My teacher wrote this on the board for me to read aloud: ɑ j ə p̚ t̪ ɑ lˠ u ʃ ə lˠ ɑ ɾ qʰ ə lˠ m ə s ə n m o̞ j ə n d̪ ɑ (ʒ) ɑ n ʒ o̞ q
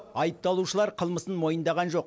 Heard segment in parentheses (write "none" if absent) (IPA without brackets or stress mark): ʁ